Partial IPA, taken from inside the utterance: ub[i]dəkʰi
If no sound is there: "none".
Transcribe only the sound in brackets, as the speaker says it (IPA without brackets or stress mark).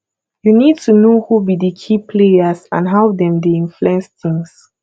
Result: i